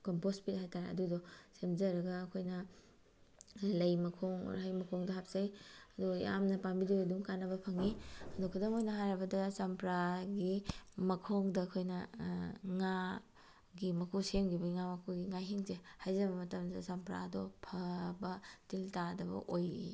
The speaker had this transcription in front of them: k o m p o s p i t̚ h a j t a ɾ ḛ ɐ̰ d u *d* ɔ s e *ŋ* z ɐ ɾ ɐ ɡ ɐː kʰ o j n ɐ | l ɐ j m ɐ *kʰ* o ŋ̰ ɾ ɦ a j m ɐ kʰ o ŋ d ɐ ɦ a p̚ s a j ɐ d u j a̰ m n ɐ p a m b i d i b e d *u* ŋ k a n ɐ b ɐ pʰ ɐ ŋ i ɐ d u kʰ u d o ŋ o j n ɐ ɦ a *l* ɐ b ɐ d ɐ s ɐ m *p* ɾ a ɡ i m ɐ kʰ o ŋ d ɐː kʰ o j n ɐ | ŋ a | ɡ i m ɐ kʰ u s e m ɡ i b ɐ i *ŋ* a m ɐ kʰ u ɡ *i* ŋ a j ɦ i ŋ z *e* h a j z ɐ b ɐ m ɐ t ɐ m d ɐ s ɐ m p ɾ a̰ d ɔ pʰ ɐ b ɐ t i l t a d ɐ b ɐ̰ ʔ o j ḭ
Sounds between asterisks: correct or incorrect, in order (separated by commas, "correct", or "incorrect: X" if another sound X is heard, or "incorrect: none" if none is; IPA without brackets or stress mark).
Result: correct, incorrect: m, correct, correct, incorrect: ɾ, correct, correct, correct, correct